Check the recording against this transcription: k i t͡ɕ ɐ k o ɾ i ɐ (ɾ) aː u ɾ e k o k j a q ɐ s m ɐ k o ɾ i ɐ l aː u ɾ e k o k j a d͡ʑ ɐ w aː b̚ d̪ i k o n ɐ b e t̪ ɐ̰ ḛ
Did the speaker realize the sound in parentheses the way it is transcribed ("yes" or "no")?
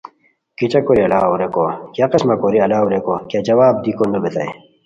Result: no